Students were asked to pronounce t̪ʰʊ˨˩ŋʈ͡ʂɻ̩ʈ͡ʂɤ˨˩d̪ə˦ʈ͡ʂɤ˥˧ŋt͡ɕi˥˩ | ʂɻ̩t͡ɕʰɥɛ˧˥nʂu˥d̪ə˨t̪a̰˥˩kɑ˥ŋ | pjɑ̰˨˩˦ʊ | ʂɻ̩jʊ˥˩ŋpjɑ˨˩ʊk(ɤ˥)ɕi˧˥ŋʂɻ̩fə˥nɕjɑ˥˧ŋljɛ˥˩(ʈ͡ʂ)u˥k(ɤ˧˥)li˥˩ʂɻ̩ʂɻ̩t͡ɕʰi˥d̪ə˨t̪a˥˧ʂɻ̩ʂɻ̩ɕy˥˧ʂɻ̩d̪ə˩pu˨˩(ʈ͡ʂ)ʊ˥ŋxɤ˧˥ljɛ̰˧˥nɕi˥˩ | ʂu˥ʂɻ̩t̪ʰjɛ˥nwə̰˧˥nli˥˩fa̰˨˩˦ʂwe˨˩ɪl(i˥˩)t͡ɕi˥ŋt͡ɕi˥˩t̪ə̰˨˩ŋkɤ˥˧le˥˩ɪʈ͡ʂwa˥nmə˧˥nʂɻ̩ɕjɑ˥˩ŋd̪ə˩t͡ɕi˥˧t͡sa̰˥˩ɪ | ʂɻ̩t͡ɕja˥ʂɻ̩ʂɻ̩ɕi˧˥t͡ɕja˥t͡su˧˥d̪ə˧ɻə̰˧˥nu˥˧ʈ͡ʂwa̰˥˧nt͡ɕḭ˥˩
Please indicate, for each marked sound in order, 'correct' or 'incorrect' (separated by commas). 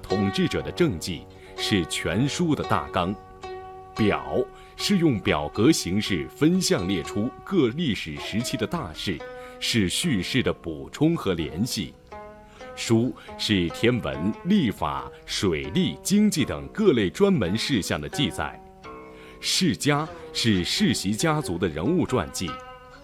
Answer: incorrect, incorrect, incorrect, incorrect, correct